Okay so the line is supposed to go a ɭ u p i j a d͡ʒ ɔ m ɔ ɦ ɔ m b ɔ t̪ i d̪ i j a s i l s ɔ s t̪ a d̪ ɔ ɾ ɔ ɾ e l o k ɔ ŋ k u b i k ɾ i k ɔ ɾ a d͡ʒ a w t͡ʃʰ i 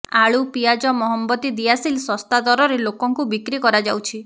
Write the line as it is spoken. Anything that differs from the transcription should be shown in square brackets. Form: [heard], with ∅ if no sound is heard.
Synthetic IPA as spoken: a ɭ u p i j a d͡ʒ ɔ m ɔ ɦ ɔ m b ɔ t̪ i d̪ i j a s i l s ɔ s t̪ a d̪ ɔ ɾ ɔ ɾ e l o k ɔ ŋ k u b i k ɾ i k ɔ ɾ a d͡ʒ a w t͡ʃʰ i